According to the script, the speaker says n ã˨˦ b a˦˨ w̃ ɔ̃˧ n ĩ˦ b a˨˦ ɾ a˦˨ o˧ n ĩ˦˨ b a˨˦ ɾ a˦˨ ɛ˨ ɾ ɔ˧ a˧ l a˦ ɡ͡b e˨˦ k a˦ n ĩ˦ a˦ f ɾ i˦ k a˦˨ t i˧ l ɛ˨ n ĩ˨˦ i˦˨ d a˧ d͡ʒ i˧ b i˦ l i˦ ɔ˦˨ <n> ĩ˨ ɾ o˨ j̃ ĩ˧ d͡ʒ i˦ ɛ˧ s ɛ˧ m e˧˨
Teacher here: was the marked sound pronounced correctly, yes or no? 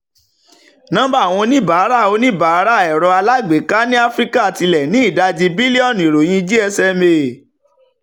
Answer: yes